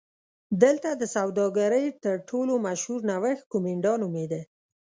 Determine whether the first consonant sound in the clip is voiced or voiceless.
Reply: voiced